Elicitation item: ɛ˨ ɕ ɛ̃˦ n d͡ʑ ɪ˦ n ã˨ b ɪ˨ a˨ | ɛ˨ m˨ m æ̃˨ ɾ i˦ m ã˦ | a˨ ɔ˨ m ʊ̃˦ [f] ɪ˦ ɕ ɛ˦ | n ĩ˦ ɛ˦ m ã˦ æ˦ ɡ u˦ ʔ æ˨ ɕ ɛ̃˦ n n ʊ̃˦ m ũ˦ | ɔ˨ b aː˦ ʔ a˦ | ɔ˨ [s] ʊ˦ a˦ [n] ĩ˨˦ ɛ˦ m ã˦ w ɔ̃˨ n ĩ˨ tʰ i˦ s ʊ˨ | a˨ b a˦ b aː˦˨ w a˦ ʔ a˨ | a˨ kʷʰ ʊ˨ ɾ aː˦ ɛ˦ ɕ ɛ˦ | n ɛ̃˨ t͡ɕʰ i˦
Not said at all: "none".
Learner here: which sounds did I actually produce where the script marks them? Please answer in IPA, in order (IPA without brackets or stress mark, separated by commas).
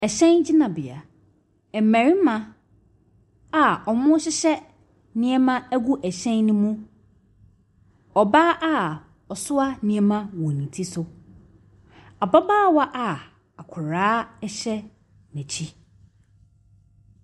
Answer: ɕ, s, n